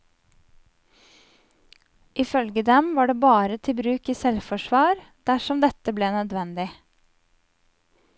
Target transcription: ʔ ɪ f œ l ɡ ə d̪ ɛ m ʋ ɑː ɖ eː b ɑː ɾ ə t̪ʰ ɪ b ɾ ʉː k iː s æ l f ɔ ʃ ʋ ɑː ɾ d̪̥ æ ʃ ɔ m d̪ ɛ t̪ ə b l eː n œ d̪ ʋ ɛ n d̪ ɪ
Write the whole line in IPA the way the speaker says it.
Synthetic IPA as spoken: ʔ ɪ f œ l ɡ ə d̪ ɛ m ʋ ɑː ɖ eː b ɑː ɾ ə t̪ʰ ɪ b ɾ ʉː k iː s ɛ l f ɔ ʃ ʋ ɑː ɾ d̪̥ æ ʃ ɔ m d̪ ɛ t̪ ə b l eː n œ d̪ ʋ ɛ n d̪ ɪ

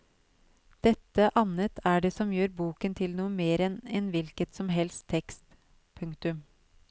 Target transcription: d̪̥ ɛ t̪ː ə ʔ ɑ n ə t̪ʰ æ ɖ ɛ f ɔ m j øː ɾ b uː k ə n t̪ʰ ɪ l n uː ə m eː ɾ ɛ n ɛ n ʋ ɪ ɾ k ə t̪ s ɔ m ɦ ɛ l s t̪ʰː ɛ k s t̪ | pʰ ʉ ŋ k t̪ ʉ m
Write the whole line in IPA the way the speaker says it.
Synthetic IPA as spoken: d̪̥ ɛ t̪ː ə ʔ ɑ n ə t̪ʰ æ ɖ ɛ s ɔ m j øː ɾ b uː k ə n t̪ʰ ɪ l n uː ə m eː ɾ ɛ n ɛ n ʋ ɪ l k ə t̪ s ɔ m ɦ ɛ l s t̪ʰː ɛ k s t̪ | pʰ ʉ ŋ k t̪ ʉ m

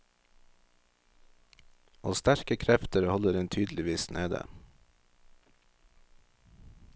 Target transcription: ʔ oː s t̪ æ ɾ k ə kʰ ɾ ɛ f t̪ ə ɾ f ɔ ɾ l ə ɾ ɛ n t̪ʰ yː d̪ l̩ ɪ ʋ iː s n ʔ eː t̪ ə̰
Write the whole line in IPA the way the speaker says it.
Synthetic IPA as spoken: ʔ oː s t̪ æ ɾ k ə kʰ ɾ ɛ f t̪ ə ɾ h ɔ l ə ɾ ɛ n t̪ʰ yː d̪ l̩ ɪ ʋ iː s n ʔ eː d̪ ə̰

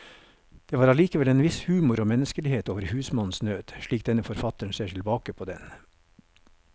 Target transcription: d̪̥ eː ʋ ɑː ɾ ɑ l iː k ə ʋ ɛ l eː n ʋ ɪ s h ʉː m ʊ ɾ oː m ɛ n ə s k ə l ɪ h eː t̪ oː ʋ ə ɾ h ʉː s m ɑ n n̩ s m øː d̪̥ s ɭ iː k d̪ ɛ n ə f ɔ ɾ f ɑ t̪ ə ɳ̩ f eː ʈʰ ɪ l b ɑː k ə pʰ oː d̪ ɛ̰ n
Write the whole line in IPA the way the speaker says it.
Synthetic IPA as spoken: d̪̥ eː ʋ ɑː ɾ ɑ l iː k ə ʋ ɛ l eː n ʋ ɪ s h ʉː m ʊ ɾ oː m ɛ n ə s k ə l ɪ h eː t̪ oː ʋ ə ɾ h ʉː s m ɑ n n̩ s n øː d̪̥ ʃ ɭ iː k d̪ ɛ n ə f ɔ ɾ f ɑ t̪ ə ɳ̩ s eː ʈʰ ɪ l b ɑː k ə pʰ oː d̪ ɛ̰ n

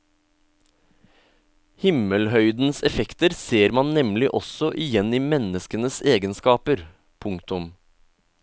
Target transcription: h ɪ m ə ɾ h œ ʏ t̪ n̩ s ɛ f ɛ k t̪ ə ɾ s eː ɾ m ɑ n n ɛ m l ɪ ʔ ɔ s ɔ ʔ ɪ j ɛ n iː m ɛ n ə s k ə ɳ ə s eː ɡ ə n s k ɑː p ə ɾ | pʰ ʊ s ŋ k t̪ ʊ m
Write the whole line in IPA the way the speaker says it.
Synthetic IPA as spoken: h ɪ m ə l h œ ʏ d̪ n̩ s ɛ f ɛ k t̪ ə ɾ s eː ɾ m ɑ n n ɛ m l ɪ ʔ ɔ s ɔ ʔ ɪ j ɛ n iː m ɛ n ə s k ə n ə s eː ɡ ə n s k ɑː p ə ɾ | pʰ ʊ ŋ k t̪ ʊ m

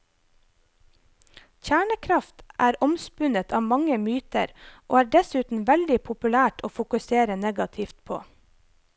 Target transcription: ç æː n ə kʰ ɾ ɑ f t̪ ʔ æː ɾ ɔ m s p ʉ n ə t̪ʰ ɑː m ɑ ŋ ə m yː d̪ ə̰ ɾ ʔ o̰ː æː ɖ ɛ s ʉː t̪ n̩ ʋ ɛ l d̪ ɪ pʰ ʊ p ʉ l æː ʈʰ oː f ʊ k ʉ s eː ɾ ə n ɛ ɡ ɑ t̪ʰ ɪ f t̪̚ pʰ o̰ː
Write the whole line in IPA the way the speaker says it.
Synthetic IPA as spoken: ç æː ɳ ə kʰ ɾ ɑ f t̪ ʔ æː ɾ ɔ m s p ʉ n ə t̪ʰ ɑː m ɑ ŋ ə m yː t̪ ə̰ ɾ ʔ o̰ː æː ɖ ɛ s ʉː t̪ n̩ ʋ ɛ l d̪ ɪ pʰ ʊ p ʉ l æː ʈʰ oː f ʊ k ʉ s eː ɾ ə n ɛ ɡ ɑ t̪ʰ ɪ f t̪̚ pʰ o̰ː

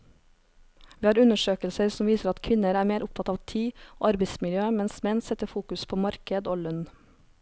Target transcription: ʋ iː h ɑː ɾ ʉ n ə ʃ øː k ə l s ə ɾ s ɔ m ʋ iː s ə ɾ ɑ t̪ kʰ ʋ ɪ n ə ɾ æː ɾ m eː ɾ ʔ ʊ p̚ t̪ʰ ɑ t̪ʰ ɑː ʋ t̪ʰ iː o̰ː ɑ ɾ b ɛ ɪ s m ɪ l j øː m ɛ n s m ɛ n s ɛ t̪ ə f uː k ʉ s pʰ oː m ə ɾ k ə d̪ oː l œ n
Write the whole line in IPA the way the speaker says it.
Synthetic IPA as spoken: ʋ iː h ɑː ɾ ʉ n ə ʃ øː k ə l s ə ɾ s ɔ m ʋ iː s ə ɾ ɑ t̪ kʰ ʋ ɪ n ə ɾ æː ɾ m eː ɾ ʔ ʊ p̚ t̪ʰ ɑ t̪ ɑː ʋ t̪ʰ iː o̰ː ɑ ɾ b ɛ ɪ s m ɪ l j øː m ɛ n s m ɛ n s ɛ t̪ ə f uː k ʉ s pʰ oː m ɑ ɾ k ə d̪ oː l œ n

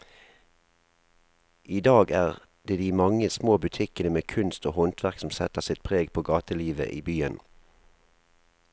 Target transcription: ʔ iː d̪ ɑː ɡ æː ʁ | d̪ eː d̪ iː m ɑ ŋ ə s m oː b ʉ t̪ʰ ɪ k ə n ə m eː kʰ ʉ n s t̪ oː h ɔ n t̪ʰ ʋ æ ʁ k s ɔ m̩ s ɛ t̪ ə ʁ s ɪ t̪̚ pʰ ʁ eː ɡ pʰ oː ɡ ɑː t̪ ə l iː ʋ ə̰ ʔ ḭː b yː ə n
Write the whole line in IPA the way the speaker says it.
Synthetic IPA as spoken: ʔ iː d̪ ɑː ɡ æː ʁ | d̪ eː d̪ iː m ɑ ŋ ə s m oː b ʉ t̪ʰ ɪ k ə n ə m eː kʰ ʉ n s t̪ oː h ɔ n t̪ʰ ʋ æ ʁ k s ɔ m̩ s ɛ t̪ ə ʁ s ɪ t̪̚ pʰ ʁ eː ɡ pʰ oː ɡ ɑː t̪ ə l iː ʋ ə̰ ʔ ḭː b yː ə n

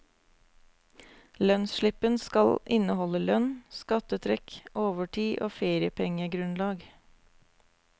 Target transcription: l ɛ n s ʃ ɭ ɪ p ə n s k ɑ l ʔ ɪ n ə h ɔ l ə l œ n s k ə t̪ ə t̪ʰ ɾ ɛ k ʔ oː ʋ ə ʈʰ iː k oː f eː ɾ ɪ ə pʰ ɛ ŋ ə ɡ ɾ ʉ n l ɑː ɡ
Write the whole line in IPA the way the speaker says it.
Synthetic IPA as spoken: l œ n s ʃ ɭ ɪ p ə n s k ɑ l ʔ ɪ n ə h ɔ l ə l œ n s k ɑ t̪ ə t̪ʰ ɾ ɛ k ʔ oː ʋ ə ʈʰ iː ʔ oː f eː ɾ ɪ ə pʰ ɛ ŋ ə ɡ ɾ ʉ n l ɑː ɡ

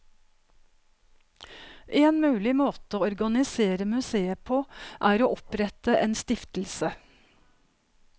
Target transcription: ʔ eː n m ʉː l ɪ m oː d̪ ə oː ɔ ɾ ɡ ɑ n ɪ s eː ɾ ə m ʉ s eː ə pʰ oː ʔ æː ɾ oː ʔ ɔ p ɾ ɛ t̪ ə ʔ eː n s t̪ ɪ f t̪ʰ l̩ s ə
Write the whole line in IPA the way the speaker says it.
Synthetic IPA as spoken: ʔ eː n m ʉː l ɪ m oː t̪ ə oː ɔ ɾ ɡ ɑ n ɪ s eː ɾ ə m ʉ s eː ə pʰ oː ʔ æː ɾ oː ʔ ɔ p ɾ ɛ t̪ ə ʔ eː n s t̪ ɪ f t̪ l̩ s ə

